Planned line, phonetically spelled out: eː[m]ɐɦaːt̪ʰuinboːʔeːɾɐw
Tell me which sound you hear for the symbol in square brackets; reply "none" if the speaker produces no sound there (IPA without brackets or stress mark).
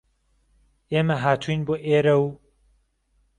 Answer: m